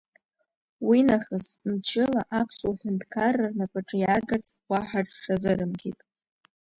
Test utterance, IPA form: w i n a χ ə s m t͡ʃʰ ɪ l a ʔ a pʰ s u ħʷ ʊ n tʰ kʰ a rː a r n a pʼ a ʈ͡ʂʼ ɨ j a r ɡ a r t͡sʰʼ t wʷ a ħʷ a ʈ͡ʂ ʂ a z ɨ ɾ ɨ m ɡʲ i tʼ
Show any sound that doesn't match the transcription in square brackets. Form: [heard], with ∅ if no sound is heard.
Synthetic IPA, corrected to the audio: w i n a χ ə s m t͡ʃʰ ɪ l a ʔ a pʰ s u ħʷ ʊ n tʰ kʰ a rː a r n a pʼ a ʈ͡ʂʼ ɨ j a r ɡ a r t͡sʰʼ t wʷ a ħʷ a ʈ͡ʂ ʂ a z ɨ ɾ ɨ m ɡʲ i tʼ